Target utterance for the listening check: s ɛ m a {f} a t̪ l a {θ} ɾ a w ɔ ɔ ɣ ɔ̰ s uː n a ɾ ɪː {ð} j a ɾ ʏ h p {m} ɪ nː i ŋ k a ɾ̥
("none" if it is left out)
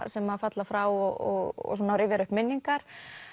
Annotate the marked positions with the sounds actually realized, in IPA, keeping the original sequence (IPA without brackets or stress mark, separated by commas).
f, f, v, m